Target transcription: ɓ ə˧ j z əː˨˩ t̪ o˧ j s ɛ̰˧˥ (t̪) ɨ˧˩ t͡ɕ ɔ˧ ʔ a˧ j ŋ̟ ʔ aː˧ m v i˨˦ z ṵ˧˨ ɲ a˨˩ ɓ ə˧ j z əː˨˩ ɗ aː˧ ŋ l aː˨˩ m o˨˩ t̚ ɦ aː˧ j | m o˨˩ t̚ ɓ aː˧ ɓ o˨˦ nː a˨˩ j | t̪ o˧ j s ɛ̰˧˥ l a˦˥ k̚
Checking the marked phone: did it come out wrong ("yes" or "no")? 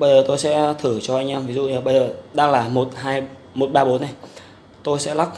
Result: yes